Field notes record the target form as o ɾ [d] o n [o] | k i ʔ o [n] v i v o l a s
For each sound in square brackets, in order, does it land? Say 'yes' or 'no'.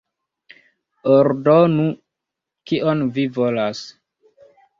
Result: yes, no, yes

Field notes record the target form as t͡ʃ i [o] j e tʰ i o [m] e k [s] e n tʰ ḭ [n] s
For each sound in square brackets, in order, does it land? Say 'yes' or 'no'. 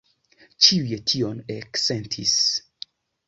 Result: no, no, yes, no

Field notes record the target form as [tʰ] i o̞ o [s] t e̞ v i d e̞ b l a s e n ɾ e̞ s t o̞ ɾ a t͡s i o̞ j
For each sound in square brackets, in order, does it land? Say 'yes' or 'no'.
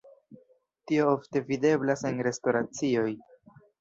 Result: no, no

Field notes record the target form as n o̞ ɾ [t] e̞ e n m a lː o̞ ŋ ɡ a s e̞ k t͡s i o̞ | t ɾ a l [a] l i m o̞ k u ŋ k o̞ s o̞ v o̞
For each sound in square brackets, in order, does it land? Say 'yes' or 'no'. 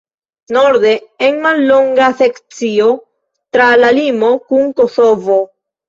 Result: no, yes

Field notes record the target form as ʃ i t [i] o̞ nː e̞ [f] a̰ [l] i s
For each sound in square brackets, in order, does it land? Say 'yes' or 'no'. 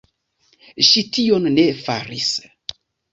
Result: yes, yes, no

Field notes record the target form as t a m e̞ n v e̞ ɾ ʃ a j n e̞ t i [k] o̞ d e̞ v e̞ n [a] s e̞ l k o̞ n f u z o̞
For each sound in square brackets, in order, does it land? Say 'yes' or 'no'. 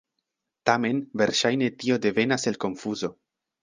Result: no, yes

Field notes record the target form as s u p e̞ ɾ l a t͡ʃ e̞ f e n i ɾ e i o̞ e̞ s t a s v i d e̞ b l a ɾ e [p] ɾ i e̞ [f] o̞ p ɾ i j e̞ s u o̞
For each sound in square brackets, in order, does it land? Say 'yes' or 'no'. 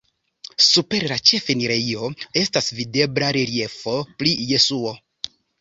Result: no, yes

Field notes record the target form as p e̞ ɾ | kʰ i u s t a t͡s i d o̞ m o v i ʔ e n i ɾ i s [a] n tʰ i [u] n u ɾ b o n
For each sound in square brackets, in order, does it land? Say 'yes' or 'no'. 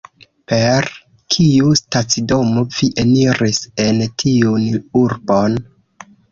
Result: no, yes

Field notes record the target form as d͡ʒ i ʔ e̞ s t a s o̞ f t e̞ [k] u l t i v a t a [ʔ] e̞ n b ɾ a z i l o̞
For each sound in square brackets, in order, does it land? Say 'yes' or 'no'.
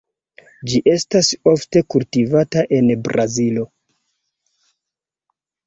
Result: yes, yes

